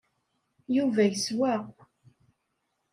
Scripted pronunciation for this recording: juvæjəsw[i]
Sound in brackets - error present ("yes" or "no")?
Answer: yes